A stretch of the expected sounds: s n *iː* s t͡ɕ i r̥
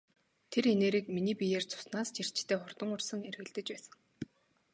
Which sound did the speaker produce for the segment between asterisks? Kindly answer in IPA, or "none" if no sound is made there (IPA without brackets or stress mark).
aː